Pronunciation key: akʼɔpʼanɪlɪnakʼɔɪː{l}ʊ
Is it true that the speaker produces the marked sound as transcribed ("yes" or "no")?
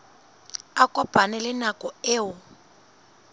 no